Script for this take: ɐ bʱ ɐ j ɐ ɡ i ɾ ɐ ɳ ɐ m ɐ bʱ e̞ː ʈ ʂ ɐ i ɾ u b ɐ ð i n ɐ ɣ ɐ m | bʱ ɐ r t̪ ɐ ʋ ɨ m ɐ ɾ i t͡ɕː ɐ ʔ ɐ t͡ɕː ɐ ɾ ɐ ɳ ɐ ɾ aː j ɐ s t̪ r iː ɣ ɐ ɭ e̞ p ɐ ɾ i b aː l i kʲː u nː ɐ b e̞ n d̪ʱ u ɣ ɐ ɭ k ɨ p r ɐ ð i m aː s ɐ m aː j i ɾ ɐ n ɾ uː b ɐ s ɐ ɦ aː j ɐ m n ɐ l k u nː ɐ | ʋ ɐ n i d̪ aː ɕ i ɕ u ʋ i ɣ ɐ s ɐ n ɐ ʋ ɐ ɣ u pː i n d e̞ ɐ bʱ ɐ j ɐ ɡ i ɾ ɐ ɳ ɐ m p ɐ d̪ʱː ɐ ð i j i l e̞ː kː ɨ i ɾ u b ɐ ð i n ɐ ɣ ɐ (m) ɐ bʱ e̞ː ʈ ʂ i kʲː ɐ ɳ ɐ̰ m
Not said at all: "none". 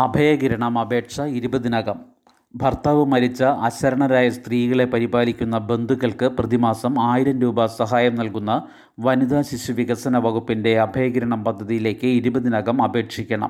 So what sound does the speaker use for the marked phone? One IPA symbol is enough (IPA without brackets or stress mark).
m